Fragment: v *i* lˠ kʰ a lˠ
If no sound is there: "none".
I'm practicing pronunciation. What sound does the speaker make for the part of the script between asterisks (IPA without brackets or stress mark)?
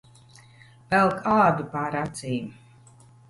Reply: ɛ